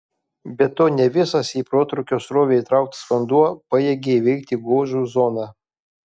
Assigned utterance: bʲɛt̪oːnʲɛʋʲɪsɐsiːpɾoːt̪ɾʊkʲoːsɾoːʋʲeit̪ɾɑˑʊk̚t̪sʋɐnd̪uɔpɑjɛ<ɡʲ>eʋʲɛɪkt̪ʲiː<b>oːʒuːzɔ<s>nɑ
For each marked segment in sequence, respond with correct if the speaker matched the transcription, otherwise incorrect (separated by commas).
correct, incorrect, incorrect